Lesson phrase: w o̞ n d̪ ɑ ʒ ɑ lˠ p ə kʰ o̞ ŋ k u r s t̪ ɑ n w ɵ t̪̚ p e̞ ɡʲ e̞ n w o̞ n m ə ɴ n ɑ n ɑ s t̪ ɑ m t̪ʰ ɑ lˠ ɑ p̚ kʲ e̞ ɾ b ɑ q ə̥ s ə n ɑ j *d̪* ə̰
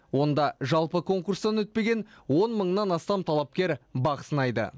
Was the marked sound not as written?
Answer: no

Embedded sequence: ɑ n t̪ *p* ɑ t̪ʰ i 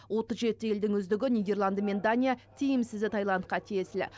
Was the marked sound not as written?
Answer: yes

